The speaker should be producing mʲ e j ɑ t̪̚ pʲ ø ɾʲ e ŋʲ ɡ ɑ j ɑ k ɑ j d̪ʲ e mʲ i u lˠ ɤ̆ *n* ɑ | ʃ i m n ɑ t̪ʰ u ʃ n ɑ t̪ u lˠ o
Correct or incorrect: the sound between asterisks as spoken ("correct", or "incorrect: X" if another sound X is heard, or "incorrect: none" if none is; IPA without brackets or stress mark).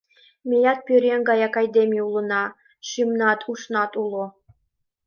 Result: correct